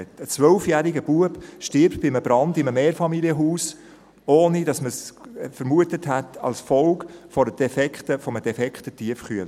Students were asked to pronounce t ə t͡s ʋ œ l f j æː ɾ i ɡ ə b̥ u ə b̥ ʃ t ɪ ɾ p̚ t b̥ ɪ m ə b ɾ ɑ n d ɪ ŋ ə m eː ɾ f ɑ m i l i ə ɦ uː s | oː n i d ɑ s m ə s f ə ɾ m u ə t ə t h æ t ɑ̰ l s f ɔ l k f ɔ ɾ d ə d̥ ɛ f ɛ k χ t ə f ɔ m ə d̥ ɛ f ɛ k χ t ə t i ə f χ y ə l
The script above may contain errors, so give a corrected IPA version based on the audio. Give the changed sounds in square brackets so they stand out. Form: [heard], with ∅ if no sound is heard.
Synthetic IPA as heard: t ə t͡s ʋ œ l f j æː ɾ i ɡ ə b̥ u ə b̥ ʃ t ɪ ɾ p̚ t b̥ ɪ m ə b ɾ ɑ n d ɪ [m] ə m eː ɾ f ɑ m i l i ə ɦ uː s | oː n i d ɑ s m ə s f ə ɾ m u ə t ə t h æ t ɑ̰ l s f ɔ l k f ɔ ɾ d ə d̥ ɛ f ɛ k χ t ə f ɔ m ə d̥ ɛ f ɛ k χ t ə t i ə f χ y ə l